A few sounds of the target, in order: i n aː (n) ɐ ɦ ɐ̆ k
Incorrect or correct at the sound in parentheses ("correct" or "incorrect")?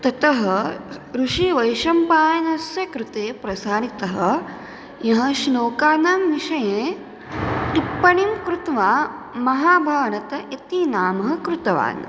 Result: incorrect